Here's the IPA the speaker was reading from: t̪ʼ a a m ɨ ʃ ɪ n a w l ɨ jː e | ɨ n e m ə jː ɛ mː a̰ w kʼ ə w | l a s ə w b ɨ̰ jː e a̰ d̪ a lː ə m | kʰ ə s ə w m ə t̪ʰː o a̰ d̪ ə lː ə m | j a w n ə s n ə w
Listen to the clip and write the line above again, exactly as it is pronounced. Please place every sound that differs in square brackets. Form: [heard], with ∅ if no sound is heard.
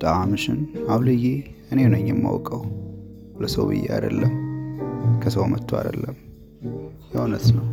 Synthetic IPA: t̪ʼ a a m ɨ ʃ ɪ n a w l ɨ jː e | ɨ n e [n] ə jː ɛ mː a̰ w kʼ ə w | l [ə] s ə w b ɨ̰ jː e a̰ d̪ [ə] lː ə m | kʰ ə s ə w m ə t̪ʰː o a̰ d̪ ə lː ə m | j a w n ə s n ə w